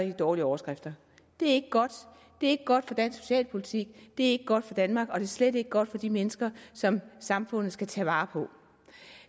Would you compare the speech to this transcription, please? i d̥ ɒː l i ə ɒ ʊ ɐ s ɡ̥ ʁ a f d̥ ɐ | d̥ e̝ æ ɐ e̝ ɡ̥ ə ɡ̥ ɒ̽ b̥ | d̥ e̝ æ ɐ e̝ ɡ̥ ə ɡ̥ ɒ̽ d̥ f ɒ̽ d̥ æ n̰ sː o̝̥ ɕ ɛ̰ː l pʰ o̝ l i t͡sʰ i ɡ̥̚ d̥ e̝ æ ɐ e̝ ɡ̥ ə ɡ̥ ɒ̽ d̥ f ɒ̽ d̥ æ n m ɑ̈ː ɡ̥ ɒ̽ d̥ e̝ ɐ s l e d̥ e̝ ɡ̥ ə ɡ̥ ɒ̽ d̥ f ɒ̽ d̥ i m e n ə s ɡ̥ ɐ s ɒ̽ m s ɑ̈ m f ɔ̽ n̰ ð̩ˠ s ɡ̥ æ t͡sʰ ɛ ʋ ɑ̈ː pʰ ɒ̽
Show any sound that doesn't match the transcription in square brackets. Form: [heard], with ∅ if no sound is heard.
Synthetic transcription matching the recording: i d̥ ɒː l i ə ɒ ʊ ɐ s ɡ̥ ʁ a f d̥ ɐ | d̥ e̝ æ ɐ e̝ ɡ̥ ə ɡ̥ ɒ̽ [d̥] | d̥ e̝ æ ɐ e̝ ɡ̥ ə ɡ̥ ɒ̽ d̥ f ɒ̽ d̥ æ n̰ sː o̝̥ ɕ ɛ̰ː l pʰ o̝ l i t͡sʰ i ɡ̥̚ d̥ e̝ æ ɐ e̝ ɡ̥ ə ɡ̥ ɒ̽ d̥ f ɒ̽ d̥ æ n m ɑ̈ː ɡ̥ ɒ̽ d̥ e̝ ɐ s l e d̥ e̝ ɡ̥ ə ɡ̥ ɒ̽ d̥ f ɒ̽ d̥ i m e n ə s ɡ̥ ɐ s ɒ̽ m s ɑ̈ m f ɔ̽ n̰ ð̩ˠ s ɡ̥ æ t͡sʰ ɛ ʋ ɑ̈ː pʰ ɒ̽

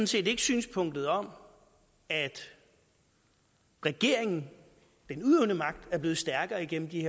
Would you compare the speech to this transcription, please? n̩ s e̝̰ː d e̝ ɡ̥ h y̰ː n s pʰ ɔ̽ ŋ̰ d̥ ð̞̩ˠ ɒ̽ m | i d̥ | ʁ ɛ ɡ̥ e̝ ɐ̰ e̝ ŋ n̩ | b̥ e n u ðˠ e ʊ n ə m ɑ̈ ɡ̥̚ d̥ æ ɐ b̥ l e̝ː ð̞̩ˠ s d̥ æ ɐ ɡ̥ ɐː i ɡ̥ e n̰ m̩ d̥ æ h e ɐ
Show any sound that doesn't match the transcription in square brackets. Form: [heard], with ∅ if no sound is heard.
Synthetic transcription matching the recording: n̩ s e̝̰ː d e̝ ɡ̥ [s] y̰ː n s pʰ ɔ̽ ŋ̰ d̥ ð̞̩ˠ ɒ̽ m | [æ] d̥ | ʁ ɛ ɡ̥ e̝ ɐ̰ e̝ ŋ n̩ | [d̥] e n u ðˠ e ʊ n ə m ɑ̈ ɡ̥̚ d̥ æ ɐ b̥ l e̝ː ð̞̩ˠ s d̥ æ ɐ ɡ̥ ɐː i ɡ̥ e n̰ m̩ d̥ [i] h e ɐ

